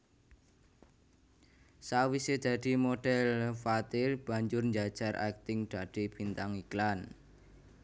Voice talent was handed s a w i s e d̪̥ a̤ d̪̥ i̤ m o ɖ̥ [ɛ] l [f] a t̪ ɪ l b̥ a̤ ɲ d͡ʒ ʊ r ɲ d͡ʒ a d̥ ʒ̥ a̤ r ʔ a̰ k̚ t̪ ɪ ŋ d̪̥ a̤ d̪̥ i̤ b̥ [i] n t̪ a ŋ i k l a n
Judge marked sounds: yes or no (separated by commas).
yes, yes, yes